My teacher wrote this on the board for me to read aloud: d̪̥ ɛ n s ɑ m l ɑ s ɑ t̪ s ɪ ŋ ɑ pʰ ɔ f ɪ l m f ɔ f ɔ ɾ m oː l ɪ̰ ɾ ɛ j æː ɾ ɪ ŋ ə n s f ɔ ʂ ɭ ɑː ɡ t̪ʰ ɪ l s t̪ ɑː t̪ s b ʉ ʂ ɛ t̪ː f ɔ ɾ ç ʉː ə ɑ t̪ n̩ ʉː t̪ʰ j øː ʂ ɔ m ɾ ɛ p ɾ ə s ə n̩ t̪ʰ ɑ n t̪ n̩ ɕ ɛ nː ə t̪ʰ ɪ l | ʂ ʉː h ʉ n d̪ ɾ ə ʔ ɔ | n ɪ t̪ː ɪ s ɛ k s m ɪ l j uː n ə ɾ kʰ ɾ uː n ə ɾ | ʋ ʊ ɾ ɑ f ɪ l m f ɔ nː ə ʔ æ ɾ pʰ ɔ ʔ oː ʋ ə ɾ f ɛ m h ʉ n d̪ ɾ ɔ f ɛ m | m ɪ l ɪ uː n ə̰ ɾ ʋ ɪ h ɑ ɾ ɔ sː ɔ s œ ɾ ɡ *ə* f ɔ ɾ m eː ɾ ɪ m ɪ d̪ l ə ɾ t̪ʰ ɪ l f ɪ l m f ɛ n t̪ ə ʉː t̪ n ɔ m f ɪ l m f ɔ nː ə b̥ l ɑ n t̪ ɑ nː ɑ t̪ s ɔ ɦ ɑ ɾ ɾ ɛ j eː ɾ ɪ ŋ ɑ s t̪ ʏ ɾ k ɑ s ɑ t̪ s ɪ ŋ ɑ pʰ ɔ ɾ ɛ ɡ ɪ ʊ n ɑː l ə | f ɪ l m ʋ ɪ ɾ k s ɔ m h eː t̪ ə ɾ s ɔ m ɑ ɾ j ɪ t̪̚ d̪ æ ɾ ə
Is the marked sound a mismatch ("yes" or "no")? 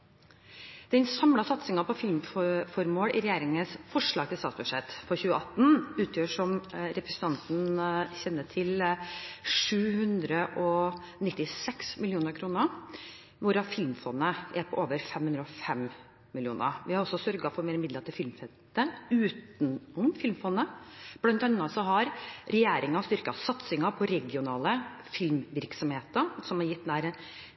yes